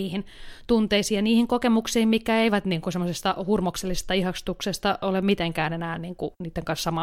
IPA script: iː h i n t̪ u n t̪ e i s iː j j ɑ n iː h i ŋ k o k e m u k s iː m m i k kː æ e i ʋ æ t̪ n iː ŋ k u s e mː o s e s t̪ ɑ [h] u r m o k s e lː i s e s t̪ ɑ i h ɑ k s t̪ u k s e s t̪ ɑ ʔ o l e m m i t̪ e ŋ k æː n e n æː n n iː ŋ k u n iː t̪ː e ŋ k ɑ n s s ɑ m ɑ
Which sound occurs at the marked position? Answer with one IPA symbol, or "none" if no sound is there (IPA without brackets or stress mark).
h